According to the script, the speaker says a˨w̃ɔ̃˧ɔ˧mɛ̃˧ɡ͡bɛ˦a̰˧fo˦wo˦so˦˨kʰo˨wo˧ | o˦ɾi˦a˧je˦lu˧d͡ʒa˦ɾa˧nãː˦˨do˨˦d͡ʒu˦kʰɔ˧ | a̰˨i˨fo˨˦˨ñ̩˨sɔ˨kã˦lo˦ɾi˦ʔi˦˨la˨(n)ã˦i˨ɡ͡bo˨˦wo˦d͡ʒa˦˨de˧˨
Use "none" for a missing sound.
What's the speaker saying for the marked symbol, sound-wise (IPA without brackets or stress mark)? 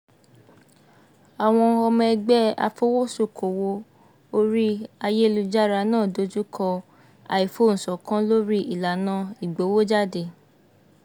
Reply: n